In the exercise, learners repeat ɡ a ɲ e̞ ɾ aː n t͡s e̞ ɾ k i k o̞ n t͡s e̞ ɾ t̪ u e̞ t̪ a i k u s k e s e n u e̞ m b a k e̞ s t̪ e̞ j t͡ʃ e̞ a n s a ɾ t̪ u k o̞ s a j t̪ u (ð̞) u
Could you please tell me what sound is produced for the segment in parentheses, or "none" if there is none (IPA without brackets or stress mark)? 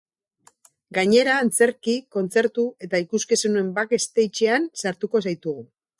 ɣ̞